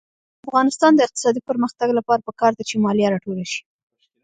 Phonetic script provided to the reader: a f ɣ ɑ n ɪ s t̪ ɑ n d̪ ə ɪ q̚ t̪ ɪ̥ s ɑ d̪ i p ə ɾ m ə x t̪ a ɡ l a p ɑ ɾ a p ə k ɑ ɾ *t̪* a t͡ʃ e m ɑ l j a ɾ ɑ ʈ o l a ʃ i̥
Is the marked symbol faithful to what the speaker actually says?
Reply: no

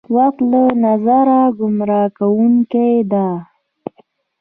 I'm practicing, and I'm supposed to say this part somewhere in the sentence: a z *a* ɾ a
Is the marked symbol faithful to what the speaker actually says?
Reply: yes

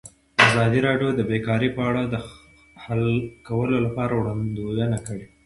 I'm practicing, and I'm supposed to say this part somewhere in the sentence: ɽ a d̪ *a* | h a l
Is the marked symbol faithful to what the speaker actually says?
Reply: no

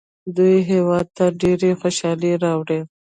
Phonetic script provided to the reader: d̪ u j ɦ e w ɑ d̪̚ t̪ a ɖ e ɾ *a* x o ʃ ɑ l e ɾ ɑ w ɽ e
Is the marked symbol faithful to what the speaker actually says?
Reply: no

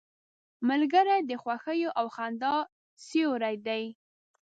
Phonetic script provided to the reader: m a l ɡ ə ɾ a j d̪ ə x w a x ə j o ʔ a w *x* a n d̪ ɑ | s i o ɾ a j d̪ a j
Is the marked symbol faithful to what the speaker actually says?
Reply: yes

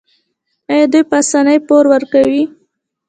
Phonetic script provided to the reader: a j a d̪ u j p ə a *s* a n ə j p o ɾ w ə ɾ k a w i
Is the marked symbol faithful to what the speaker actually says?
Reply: yes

